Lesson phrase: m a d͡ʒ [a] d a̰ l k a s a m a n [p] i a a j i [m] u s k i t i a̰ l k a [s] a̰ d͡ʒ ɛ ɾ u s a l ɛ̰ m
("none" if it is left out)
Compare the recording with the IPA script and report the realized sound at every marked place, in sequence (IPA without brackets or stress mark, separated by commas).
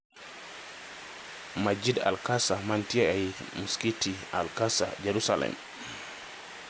i, t, m, s